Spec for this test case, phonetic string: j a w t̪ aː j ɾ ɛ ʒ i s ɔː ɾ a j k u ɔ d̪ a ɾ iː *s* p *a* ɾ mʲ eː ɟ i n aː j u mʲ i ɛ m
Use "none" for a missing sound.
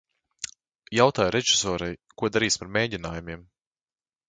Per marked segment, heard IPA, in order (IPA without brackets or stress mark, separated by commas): s, a